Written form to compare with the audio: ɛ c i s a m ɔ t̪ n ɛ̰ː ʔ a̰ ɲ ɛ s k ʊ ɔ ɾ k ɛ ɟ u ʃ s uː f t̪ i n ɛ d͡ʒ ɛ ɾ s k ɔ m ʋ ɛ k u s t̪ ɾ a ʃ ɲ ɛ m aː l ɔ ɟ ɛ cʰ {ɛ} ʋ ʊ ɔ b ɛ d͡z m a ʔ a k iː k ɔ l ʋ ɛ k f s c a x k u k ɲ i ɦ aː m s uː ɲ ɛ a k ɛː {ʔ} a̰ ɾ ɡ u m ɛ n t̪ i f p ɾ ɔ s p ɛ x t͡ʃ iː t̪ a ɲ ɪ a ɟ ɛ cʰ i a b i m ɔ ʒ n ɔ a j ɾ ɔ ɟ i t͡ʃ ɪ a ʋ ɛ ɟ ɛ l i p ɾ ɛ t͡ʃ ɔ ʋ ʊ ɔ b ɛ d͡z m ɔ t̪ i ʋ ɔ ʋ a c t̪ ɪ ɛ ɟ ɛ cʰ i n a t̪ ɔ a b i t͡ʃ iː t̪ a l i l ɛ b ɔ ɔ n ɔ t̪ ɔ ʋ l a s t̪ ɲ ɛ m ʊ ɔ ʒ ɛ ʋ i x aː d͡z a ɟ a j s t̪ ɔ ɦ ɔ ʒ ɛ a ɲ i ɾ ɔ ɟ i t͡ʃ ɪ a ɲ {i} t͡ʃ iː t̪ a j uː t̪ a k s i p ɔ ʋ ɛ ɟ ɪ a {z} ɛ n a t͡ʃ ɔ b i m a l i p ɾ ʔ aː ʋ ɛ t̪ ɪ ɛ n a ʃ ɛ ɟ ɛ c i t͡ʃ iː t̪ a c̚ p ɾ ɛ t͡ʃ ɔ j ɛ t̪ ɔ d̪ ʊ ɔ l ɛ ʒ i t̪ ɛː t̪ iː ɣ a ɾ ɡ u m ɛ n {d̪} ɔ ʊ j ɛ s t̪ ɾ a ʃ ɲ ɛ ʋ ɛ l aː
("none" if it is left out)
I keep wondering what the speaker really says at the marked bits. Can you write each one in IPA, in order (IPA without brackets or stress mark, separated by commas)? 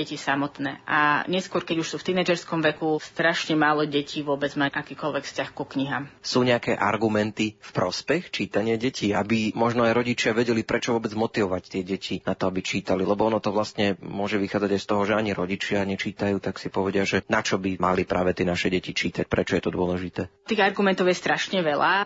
i, ʔ, ɛ, ʒ, t̪